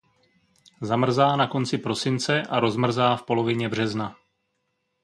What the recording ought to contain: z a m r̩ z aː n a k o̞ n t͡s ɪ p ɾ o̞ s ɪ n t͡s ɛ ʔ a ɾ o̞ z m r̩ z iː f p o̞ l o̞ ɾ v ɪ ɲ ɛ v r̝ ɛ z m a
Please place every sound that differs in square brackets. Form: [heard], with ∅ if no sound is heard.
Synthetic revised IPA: z a m r̩ z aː n a k o̞ n t͡s ɪ p ɾ o̞ s ɪ n t͡s ɛ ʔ a ɾ o̞ z m r̩ z [aː] f p o̞ l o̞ [∅] v ɪ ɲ ɛ [b] r̝ ɛ z [n] a